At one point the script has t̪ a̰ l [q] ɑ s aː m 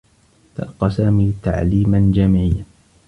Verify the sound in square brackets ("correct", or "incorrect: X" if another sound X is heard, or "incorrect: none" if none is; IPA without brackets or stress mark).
correct